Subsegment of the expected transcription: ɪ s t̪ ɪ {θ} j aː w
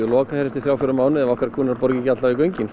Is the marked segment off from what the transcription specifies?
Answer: no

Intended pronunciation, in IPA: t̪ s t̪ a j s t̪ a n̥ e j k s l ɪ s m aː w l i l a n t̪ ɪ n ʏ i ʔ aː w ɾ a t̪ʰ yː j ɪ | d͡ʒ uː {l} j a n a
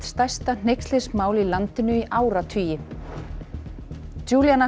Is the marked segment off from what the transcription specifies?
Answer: no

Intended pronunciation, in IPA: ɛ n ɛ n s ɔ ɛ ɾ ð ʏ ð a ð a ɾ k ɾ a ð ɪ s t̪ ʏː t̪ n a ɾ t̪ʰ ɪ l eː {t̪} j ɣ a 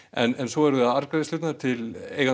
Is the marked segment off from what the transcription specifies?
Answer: yes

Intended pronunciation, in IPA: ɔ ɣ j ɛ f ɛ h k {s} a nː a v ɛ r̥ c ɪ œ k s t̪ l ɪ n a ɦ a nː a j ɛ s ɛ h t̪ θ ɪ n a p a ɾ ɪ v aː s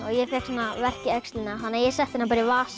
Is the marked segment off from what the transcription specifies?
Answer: no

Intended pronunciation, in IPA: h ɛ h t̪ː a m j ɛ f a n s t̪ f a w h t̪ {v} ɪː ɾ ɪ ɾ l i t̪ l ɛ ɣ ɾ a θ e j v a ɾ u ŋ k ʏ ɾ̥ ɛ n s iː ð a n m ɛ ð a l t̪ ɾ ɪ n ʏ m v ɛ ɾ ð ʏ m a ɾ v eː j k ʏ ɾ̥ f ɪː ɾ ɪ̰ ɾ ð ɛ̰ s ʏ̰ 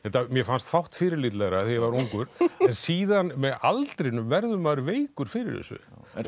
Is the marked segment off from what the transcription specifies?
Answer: yes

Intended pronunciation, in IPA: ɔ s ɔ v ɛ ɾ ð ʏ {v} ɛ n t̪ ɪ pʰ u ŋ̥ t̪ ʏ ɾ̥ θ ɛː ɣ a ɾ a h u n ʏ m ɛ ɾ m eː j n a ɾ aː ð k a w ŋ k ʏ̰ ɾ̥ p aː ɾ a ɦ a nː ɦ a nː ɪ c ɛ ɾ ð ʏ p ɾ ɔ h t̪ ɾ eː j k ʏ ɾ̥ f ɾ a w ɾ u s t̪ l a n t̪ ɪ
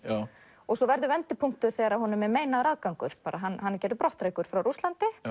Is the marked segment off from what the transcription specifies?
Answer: no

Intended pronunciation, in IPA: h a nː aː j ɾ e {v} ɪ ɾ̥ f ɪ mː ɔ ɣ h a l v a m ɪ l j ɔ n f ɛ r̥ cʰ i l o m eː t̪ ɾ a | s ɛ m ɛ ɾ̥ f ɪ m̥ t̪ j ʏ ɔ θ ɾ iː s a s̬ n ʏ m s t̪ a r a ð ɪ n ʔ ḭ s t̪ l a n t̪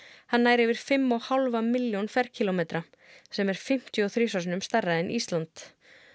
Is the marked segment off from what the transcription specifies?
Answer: no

